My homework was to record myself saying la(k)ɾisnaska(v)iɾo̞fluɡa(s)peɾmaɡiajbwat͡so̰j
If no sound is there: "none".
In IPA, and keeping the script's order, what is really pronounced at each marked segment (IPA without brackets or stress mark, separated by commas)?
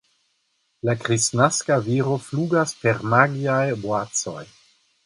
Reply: k, v, s